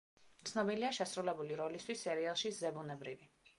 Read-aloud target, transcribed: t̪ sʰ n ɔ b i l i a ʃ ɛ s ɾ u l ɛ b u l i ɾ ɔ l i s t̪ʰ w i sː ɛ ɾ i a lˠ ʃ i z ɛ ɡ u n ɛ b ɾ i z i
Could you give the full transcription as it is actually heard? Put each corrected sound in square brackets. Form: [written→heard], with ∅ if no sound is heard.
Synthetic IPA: t̪ sʰ n ɔ b i l i a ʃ ɛ s ɾ u l ɛ b u l i ɾ ɔ l i s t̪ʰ w i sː ɛ ɾ i a lˠ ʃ i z ɛ [ɡ→b] u n ɛ b ɾ i [z→v] i